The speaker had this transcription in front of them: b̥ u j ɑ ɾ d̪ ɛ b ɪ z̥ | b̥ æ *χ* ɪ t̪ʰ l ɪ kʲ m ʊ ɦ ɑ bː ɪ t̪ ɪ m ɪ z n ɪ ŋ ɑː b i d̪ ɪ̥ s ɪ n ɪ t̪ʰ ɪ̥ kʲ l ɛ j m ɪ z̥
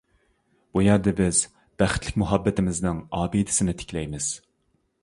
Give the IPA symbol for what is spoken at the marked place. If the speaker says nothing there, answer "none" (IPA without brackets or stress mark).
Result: χ